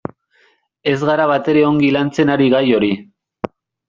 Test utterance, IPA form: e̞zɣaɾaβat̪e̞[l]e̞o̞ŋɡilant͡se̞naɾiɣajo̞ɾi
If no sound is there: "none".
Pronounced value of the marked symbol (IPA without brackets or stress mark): ɾ